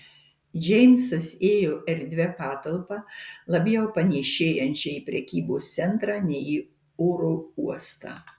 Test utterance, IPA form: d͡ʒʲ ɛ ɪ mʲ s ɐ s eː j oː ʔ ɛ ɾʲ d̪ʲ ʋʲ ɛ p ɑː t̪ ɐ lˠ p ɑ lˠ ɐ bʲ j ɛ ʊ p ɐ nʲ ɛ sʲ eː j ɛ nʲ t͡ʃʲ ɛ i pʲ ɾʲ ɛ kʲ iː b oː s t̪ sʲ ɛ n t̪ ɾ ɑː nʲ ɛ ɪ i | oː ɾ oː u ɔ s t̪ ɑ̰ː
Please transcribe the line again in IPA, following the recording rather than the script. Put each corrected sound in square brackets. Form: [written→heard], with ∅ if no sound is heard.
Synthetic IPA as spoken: d͡ʒʲ ɛ ɪ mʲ s ɐ s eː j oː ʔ ɛ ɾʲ d̪ʲ ʋʲ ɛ p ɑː t̪ ɐ lˠ p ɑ lˠ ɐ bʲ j ɛ ʊ p ɐ nʲ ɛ [sʲ→ʃʲ] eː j ɛ nʲ t͡ʃʲ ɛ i pʲ ɾʲ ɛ kʲ iː b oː s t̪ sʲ ɛ n t̪ ɾ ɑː nʲ ɛ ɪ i | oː ɾ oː u ɔ s t̪ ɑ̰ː